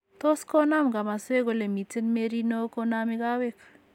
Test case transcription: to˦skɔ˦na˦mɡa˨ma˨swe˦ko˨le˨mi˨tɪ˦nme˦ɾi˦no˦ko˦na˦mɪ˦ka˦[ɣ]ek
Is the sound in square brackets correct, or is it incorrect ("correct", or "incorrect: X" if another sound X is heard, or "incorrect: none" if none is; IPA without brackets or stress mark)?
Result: incorrect: w